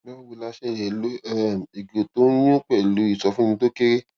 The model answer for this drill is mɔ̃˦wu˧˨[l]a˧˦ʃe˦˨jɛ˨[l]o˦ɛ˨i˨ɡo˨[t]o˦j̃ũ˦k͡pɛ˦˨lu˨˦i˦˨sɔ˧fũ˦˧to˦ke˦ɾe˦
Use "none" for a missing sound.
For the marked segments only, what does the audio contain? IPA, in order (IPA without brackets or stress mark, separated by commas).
l, l, t